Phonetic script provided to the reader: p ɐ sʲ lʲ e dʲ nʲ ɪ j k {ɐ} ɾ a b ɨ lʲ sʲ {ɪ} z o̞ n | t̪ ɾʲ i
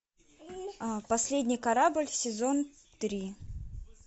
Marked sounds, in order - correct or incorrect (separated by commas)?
correct, correct